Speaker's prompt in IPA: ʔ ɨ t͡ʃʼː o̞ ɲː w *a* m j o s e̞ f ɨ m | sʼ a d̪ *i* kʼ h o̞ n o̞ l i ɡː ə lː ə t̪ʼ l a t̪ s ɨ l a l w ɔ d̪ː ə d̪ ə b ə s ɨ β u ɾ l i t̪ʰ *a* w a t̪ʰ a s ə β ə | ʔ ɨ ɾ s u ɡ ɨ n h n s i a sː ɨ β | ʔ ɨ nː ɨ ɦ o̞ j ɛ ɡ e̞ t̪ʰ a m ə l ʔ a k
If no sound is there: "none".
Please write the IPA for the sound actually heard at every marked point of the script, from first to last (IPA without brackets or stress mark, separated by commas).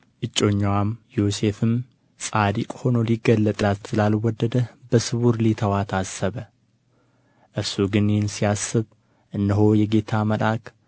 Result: a, i, ə